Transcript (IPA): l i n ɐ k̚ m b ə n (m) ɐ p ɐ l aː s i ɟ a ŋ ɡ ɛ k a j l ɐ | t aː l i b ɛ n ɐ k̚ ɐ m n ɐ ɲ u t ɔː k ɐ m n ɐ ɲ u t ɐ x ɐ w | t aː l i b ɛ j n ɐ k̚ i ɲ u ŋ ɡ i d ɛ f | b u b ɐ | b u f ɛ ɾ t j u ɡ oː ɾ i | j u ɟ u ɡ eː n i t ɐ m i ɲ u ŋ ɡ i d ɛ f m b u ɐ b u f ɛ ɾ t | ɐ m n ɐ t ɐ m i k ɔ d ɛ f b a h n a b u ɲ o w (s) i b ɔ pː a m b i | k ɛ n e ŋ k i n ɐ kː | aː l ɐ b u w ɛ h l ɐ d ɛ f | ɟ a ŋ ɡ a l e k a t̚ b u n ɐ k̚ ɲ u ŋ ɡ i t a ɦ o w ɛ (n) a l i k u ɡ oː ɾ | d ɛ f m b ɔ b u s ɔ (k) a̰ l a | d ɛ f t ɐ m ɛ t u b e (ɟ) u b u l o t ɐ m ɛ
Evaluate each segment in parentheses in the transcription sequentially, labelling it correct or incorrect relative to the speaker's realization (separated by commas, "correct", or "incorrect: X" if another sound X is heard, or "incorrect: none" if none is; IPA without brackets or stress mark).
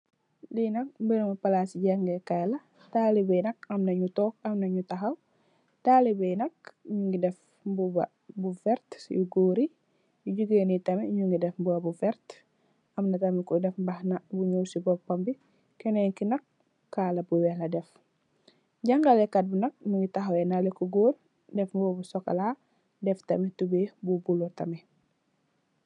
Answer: correct, correct, correct, correct, incorrect: b